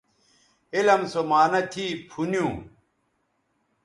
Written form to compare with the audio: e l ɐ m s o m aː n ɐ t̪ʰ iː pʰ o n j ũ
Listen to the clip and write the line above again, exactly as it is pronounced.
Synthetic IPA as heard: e l ɐ m s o m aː n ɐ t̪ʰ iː pʰ u n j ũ

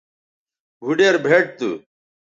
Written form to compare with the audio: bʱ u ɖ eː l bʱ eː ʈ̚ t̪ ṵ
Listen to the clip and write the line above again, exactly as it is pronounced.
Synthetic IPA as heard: bʱ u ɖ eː ɾ bʱ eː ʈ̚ t̪ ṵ

